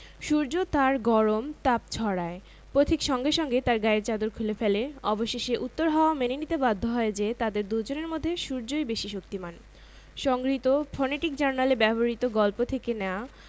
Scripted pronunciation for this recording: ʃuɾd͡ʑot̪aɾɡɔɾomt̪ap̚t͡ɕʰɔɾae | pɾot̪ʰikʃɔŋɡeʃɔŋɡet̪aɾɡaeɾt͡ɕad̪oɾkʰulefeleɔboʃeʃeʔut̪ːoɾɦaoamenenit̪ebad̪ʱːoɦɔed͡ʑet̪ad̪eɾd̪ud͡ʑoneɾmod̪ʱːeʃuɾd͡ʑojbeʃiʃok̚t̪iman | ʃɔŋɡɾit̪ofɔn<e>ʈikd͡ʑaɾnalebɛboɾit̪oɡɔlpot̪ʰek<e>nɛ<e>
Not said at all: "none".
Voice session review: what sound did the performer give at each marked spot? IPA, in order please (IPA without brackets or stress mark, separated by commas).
e, e, a